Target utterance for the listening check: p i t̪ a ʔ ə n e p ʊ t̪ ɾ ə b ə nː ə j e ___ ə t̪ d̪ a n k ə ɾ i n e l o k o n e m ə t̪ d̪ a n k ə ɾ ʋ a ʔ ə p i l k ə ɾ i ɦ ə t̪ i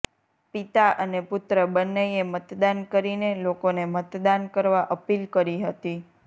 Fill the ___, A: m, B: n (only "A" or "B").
A